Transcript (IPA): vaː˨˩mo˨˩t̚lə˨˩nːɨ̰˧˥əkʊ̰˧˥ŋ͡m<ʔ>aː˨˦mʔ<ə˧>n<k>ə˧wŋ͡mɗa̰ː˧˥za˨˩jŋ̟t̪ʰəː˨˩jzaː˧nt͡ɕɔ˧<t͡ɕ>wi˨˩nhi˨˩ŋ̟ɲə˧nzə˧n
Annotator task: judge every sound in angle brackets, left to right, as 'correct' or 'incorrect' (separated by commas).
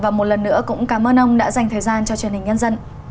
incorrect, incorrect, incorrect, correct